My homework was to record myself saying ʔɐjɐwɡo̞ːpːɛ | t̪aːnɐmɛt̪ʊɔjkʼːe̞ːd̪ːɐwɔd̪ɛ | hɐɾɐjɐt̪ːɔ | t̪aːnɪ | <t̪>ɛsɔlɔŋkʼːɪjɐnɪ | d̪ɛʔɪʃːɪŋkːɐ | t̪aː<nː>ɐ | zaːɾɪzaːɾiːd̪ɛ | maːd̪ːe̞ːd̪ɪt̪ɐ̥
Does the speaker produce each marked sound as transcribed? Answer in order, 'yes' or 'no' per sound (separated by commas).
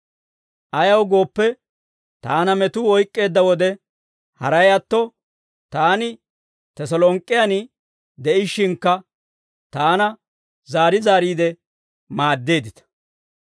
yes, no